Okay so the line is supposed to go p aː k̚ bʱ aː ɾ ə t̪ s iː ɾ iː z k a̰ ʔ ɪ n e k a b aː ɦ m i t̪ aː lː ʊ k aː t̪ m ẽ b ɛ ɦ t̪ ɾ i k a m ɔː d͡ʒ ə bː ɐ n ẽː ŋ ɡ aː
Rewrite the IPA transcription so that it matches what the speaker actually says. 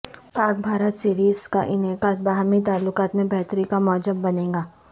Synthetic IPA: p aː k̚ bʱ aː ɾ ə t̪ s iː ɾ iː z k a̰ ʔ ɪ n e k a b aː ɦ m i t̪ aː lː ʊ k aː t̪ m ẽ b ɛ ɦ t̪ ɾ i k a m ɔː d͡ʒ ə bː ɐ n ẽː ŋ ɡ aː